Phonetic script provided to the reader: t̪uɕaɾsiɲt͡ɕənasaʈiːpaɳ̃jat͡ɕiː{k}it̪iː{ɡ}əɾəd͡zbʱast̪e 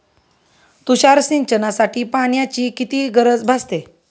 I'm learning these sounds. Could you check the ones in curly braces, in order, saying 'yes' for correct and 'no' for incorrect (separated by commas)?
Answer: yes, yes